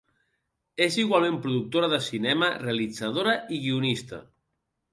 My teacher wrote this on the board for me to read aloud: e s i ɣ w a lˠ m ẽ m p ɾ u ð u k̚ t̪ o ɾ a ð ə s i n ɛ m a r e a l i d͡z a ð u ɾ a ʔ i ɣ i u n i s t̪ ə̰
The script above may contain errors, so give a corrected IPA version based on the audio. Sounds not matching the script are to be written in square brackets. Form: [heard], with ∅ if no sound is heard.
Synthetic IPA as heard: e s i ɣ w a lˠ m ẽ m p ɾ u ð u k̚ t̪ o ɾ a ð ə s i n ɛ m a r e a l i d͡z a ð [o] ɾ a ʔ i ɣ i u n i s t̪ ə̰